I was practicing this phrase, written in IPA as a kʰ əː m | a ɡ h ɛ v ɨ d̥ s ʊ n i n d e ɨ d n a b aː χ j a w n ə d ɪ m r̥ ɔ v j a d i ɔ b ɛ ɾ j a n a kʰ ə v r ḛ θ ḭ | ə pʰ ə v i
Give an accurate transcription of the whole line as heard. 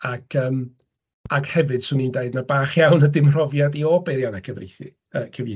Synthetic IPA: a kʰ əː m | a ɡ h ɛ v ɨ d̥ s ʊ n i n d e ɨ d n a b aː χ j a w n ə d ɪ m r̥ ɔ v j a d i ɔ b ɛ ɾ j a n a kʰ ə v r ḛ θ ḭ | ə kʰ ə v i